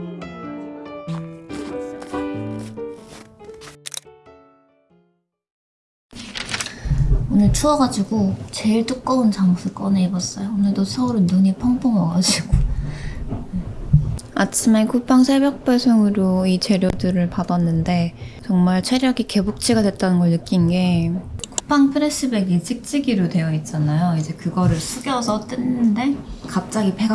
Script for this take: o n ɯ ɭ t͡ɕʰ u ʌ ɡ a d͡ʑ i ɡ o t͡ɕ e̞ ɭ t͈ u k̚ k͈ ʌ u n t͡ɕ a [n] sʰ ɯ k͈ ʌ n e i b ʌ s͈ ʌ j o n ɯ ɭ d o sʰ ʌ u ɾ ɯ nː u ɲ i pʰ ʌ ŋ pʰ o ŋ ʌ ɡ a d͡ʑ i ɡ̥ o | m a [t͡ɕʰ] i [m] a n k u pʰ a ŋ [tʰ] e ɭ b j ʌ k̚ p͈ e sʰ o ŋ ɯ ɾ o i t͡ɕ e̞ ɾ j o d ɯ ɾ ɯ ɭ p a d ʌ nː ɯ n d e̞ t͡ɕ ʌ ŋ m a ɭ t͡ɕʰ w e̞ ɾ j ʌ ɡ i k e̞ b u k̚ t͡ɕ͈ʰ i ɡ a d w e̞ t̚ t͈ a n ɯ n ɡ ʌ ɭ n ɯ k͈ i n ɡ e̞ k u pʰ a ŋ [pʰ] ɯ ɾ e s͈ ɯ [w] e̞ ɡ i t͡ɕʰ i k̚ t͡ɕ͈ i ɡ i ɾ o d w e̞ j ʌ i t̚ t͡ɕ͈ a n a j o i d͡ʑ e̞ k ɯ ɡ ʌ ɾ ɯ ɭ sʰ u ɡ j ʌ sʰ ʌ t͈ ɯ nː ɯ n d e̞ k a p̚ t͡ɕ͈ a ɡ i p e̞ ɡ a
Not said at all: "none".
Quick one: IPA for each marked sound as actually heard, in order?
ŋ, t͡ɕʰ, m, sʰ, pʰ, b

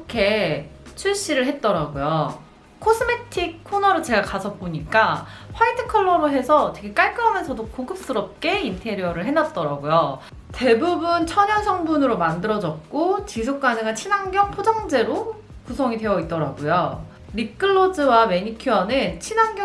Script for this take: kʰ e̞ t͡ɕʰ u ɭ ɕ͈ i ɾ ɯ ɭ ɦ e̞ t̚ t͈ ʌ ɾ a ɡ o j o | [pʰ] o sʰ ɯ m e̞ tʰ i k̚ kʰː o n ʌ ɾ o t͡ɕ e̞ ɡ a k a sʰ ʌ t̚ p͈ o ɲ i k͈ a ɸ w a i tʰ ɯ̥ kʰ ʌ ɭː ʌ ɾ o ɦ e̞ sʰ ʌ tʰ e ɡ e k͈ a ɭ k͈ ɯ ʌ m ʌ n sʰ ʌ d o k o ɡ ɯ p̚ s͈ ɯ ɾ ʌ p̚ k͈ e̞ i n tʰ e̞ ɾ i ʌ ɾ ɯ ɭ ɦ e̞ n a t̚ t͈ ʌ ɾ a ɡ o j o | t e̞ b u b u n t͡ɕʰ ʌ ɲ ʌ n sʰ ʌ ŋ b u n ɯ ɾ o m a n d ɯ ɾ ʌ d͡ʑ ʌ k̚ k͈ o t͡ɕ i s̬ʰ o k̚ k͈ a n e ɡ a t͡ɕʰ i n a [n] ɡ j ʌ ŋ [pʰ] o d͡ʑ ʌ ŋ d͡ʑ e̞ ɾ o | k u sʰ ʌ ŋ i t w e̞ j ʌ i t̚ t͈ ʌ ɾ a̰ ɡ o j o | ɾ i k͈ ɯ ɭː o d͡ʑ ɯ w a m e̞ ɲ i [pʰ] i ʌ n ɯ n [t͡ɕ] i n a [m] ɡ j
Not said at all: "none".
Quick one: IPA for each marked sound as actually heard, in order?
kʰ, ŋ, pʰ, kʰ, t͡ɕʰ, ŋ

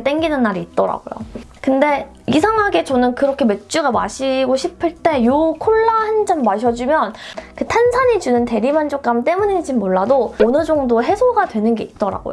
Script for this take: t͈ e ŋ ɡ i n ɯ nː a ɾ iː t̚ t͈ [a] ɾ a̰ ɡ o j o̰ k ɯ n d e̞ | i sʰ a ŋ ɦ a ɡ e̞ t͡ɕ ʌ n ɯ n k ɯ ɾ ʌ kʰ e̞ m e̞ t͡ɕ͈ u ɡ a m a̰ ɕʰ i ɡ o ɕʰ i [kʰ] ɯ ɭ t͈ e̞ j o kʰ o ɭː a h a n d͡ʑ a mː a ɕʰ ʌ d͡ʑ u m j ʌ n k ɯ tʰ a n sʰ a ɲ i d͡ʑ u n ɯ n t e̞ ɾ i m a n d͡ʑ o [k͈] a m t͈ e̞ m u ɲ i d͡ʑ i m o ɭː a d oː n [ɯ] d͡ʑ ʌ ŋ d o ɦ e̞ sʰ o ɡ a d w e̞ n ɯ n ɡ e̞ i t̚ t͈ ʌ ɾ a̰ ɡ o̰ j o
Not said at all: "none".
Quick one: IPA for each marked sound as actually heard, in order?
ʌ, pʰ, k͈, ɯ

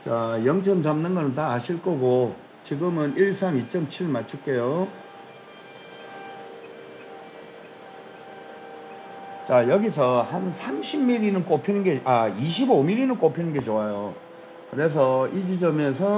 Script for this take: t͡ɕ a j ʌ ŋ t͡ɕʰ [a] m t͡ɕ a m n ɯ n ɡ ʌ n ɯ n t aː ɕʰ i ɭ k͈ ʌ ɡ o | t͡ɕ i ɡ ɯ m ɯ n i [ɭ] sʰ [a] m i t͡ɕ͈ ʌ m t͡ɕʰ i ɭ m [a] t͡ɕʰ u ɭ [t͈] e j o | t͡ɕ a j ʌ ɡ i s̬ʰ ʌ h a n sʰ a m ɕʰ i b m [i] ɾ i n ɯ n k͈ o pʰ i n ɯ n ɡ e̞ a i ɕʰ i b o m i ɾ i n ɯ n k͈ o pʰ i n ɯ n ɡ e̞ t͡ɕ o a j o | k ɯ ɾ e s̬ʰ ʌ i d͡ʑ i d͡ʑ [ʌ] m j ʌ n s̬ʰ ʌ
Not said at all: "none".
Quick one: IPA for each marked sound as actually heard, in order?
ʌ, ɭ, a, a, k͈, i, ʌ

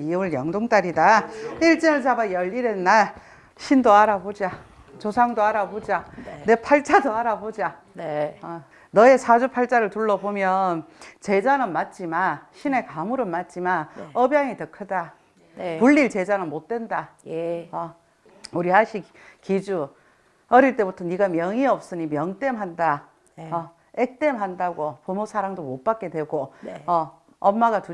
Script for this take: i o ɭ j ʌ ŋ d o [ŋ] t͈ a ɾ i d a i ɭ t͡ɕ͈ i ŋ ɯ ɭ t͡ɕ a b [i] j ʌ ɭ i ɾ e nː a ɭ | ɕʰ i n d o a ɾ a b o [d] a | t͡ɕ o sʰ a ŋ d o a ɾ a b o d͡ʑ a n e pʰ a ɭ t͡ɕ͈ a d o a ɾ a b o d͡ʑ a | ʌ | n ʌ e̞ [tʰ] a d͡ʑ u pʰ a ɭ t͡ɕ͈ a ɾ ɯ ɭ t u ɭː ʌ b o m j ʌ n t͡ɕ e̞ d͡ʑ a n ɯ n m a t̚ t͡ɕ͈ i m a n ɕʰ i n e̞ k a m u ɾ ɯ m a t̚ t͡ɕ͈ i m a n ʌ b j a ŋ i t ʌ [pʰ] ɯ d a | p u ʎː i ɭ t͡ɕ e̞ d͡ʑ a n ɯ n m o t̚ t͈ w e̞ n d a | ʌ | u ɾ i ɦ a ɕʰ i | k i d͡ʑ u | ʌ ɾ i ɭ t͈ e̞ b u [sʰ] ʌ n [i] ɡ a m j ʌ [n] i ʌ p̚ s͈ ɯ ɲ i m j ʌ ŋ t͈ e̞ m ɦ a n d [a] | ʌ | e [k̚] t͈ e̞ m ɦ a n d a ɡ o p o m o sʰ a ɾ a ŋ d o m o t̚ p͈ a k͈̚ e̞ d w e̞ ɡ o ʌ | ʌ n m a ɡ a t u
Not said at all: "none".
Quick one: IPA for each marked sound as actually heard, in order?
ŋ, a, d͡ʑ, sʰ, kʰ, tʰ, i, ŋ, a, k̚

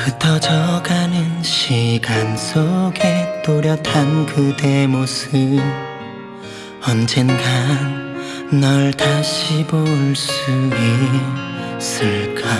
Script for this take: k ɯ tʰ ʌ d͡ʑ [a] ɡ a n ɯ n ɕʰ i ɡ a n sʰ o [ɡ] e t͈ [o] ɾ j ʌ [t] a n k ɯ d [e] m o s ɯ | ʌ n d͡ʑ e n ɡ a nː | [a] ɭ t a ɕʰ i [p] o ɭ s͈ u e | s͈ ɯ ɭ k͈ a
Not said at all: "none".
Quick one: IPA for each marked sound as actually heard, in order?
ʌ, ɡ, o, tʰ, e, ʌ, b

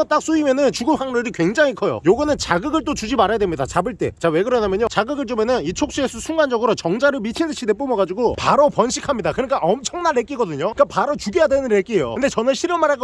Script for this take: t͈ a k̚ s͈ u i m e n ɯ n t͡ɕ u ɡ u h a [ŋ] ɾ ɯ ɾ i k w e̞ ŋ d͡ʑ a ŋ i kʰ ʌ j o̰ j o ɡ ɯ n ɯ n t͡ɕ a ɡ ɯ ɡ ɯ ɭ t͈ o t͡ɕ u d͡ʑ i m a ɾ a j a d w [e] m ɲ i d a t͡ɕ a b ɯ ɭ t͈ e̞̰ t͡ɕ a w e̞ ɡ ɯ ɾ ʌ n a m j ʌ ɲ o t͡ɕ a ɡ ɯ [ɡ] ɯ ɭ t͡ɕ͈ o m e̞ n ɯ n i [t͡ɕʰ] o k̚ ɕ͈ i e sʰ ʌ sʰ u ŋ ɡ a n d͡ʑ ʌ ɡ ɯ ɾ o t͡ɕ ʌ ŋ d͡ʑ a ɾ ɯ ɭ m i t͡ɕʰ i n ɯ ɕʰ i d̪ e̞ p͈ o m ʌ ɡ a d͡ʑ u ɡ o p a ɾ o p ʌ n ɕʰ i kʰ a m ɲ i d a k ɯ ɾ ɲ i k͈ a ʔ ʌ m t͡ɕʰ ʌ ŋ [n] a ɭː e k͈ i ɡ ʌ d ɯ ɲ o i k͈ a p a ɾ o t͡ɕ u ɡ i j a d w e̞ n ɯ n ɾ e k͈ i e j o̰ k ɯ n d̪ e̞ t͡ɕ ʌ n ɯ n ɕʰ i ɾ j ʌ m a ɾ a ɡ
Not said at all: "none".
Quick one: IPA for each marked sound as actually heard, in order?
ŋ, e, ɡ, t͡ɕʰ, n

